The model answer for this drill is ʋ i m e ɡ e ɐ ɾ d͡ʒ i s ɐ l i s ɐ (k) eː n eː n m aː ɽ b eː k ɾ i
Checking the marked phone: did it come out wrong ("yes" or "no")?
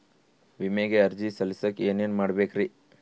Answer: no